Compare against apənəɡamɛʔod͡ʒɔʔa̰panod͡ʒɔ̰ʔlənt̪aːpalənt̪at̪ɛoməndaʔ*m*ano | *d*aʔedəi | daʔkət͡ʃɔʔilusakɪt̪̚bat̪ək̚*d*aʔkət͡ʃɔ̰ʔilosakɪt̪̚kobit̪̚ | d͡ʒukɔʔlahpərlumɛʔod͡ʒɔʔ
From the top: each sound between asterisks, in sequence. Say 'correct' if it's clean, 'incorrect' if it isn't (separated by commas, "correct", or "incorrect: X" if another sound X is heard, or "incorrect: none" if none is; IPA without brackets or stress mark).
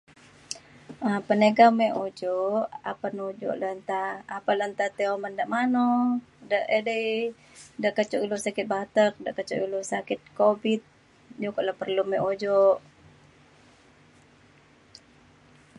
correct, correct, correct